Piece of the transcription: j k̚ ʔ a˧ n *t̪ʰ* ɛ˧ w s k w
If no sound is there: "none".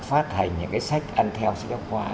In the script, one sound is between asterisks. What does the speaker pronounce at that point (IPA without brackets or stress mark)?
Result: t̪ʰ